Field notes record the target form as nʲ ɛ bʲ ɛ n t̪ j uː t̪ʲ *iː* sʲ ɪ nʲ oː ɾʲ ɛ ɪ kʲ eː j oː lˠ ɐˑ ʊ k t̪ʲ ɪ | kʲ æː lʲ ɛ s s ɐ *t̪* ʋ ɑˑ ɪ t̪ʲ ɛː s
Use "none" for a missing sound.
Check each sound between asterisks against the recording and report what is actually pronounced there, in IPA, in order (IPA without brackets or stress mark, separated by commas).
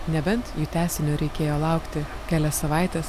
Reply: æː, none